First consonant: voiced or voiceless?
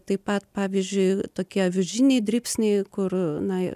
voiceless